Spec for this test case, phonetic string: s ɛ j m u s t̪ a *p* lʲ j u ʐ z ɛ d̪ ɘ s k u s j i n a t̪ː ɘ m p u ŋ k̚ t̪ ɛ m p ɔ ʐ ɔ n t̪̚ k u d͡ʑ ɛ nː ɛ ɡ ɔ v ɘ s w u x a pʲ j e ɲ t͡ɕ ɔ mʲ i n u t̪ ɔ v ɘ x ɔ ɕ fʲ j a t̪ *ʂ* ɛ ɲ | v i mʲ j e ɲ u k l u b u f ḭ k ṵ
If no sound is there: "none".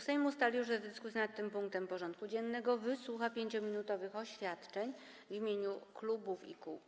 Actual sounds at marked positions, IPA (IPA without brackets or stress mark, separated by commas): none, t͡ʂ